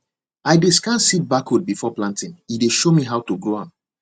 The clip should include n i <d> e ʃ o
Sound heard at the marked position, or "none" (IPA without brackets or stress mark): d